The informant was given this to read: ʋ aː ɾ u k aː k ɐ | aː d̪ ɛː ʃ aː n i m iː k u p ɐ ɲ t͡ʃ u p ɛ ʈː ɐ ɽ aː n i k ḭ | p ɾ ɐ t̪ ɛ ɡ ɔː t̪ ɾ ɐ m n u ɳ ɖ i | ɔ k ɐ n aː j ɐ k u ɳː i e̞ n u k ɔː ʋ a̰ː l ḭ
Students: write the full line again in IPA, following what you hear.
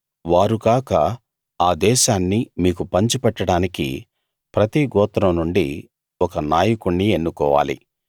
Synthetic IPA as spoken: ʋ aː ɾ u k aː k ɐ | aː d̪ ɛː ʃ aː nː i m iː k u p ɐ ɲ t͡ʃ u p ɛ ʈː ɐ ɽ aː n i k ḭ | p ɾ ɐ t̪ i ɡ ɔː t̪ ɾ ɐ m n u ɳ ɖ i | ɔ k ɐ n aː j ɐ k u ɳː i e̞ nː u k ɔː ʋ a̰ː l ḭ